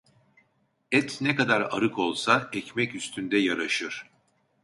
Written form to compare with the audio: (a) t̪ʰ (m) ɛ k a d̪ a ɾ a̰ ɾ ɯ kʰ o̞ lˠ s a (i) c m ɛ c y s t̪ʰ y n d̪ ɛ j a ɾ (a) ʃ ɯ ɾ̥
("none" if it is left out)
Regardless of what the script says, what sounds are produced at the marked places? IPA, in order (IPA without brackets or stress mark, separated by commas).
ɛ, n, ɛ, a